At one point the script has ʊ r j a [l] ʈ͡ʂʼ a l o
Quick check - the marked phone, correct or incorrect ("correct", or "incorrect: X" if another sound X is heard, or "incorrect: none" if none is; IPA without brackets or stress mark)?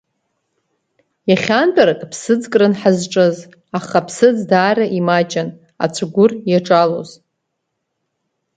incorrect: none